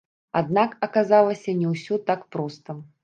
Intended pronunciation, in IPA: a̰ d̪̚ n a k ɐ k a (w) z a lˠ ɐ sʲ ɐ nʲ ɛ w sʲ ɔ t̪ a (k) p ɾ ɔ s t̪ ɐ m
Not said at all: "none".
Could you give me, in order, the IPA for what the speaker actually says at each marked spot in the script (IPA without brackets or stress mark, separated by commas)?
none, k